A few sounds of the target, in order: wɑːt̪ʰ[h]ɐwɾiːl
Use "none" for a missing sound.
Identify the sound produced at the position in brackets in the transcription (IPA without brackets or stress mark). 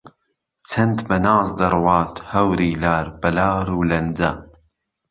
h